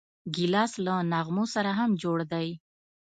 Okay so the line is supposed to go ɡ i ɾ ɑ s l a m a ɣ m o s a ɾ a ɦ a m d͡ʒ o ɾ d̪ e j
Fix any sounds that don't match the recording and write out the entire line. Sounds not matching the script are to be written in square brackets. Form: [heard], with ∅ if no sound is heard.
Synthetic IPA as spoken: ɡ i [l] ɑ s l a [n] a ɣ m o s a ɾ a ɦ a m d͡ʒ o [ɽ] d̪ [a] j